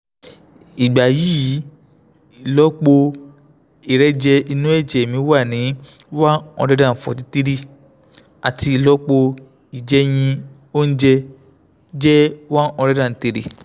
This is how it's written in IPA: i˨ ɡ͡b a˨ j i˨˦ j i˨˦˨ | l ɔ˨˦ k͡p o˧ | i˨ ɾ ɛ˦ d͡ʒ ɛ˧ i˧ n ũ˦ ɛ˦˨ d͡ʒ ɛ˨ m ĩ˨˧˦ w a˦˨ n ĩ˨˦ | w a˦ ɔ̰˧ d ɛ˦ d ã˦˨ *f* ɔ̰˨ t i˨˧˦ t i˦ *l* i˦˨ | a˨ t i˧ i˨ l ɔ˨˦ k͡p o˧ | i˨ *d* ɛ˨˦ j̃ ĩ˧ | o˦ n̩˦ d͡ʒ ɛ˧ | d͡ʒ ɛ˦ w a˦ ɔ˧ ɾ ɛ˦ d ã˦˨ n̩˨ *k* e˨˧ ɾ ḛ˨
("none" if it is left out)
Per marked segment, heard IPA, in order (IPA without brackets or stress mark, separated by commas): f, ɾ, d͡ʒ, t